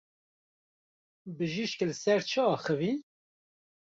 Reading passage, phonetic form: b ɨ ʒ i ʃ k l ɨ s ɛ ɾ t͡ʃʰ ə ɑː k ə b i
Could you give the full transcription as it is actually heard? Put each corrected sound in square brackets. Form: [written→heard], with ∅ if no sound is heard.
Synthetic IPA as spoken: b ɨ ʒ i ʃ k l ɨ s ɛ ɾ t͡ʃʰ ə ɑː [k→x] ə [b→v] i